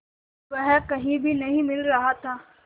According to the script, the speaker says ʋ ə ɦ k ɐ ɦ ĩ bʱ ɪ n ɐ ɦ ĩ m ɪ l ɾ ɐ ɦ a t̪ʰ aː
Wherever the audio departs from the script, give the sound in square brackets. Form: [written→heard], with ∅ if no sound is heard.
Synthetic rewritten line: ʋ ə ɦ k ɐ ɦ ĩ bʱ [ɪ→i] n ɐ ɦ ĩ m ɪ l ɾ ɐ ɦ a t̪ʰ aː

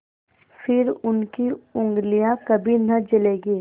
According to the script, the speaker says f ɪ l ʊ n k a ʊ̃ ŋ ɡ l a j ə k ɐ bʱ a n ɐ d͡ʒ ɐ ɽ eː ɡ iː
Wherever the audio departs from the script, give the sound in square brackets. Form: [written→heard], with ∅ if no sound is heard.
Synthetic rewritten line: f ɪ [l→ɾ] ʊ n k [a→i] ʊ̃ ŋ ɡ l [a→i] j [ə→a] k ɐ bʱ [a→i] n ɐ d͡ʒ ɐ [ɽ→l] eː ɡ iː

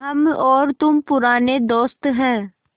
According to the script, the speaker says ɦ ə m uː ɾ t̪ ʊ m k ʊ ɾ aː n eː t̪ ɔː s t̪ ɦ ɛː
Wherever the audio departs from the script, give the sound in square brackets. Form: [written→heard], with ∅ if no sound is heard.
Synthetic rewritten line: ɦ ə m [uː→ɔː] ɾ t̪ ʊ m [k→p] ʊ ɾ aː n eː [t̪→d̪] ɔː s t̪ ɦ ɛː

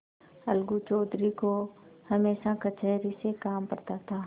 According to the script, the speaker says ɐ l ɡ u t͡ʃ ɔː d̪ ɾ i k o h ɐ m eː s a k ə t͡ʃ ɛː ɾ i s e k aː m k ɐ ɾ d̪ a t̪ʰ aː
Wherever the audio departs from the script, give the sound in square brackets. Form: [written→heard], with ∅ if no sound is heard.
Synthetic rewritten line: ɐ l ɡ u t͡ʃ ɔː d̪ ɾ i k o h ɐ m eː [s→ʃ] a k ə t͡ʃ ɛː ɾ i s e k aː m [k→p] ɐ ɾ [d̪→t̪] a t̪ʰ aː

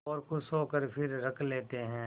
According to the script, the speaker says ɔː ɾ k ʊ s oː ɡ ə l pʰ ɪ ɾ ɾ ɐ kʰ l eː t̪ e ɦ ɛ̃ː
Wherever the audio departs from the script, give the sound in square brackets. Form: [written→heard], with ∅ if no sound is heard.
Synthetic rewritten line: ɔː ɾ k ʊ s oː [ɡ→k] ə [l→ɾ] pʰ ɪ ɾ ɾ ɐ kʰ l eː t̪ e ɦ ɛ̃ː

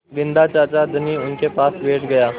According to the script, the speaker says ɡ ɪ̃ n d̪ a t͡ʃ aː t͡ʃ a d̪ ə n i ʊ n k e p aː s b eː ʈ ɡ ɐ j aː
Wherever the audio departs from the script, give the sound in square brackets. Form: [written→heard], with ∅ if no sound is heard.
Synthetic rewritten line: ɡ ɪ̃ n d̪ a t͡ʃ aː t͡ʃ a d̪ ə n i ʊ n k e p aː s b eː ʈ ɡ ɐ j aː

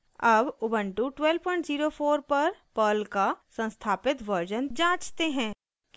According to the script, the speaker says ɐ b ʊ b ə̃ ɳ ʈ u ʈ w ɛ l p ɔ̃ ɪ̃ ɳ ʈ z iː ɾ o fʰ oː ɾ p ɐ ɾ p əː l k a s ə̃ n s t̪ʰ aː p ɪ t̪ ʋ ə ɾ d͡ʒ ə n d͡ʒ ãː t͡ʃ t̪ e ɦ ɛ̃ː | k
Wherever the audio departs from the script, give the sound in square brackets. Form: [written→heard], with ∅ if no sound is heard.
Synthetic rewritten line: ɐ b ʊ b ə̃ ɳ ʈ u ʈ w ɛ l p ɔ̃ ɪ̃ ɳ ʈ z iː ɾ o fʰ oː ɾ p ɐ ɾ p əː l k a s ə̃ n s t̪ʰ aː p ɪ t̪ ʋ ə ɾ d͡ʒ ə n d͡ʒ ãː t͡ʃ t̪ e ɦ ɛ̃ː | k

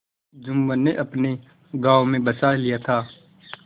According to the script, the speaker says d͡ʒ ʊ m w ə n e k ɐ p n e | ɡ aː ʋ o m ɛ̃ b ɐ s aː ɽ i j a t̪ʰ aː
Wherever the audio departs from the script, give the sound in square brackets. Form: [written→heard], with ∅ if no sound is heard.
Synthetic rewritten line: d͡ʒ ʊ m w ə n e [k→ʔ] ɐ p n e | ɡ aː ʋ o m [ɛ̃→ẽ] b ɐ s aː [ɽ→l] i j a t̪ʰ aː

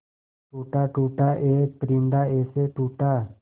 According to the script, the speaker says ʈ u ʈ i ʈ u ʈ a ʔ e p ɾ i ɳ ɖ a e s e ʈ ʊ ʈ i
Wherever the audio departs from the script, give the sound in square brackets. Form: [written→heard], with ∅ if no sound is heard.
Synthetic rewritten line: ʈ u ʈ [i→a] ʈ u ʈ a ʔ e p ɾ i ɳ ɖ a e s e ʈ [ʊ→u] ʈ [i→a]

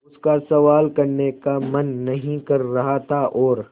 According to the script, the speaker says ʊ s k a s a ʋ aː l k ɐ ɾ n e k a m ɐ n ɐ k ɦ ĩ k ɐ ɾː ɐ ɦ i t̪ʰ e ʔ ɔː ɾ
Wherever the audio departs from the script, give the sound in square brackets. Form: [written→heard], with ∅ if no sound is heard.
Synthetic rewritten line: ʊ s k a s [a→ɐ] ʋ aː l k ɐ ɾ n e k a m ɐ [n→nː] ɐ [k→∅] ɦ ĩ k ɐ ɾː ɐ ɦ [i→a] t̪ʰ [e→a] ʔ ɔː ɾ

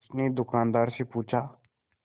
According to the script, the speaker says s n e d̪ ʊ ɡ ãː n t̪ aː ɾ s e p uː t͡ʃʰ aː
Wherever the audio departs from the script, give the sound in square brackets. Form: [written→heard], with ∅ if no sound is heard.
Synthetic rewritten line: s n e d̪ ʊ [ɡ→k] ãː n [t̪→d̪] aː ɾ s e p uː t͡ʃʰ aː

